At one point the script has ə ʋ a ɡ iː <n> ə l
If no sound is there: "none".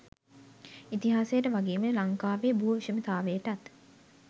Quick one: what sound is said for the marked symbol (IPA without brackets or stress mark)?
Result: m